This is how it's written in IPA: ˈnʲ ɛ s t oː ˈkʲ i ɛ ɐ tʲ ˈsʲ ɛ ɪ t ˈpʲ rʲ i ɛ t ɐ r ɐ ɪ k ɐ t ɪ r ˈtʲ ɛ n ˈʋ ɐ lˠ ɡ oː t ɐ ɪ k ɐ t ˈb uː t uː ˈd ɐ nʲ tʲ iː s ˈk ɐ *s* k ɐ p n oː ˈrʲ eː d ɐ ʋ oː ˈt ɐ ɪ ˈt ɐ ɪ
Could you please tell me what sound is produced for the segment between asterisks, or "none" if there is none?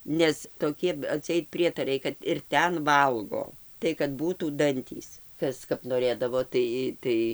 s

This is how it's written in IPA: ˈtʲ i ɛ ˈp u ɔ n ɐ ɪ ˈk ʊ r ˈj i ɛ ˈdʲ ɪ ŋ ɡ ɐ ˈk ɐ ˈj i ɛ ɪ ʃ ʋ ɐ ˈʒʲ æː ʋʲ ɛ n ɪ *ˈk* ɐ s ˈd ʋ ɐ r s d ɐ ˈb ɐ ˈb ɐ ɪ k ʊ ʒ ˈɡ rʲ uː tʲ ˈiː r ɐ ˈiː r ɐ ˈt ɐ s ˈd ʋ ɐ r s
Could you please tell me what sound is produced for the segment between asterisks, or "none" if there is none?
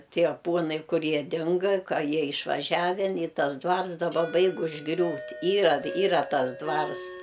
t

